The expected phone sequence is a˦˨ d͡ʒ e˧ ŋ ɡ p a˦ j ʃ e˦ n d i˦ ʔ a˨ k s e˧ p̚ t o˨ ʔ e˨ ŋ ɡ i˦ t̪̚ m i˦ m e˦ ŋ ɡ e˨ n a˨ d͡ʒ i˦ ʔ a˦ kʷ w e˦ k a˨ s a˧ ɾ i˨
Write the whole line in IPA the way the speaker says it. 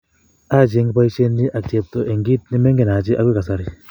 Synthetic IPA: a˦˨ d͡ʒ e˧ ŋ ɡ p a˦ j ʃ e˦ n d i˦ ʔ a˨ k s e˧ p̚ t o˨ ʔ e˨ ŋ ɡ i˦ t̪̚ n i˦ m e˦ ŋ ɡ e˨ n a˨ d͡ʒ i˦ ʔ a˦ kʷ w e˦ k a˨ s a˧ ɾ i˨